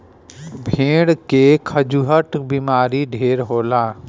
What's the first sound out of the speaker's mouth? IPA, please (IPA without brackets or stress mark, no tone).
bʱ